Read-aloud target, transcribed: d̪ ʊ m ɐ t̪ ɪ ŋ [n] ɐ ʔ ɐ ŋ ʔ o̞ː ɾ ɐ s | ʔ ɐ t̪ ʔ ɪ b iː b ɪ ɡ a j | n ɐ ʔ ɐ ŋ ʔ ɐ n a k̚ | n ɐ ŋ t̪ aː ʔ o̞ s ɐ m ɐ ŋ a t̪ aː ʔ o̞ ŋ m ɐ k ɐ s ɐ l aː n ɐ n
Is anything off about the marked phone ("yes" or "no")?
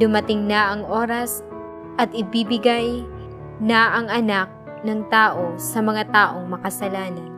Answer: no